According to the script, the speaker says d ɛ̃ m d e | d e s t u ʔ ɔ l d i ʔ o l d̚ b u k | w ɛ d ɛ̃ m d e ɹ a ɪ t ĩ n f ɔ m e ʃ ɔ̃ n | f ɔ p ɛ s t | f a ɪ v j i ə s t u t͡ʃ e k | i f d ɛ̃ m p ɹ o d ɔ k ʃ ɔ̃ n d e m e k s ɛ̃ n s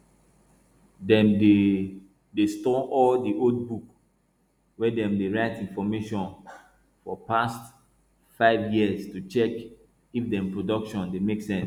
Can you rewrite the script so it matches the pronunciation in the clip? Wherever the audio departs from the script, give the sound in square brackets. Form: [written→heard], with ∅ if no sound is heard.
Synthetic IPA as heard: d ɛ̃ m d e | d e s t [u→ɔ] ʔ ɔ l d i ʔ o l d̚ b u k | w ɛ d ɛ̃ m d e ɹ a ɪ t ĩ n f ɔ m e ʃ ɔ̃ n | f ɔ p [ɛ→a] s t | f a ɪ v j i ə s t u t͡ʃ [e→ɛ] k | i f d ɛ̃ m p ɹ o d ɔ k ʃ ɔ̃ n d e m e k s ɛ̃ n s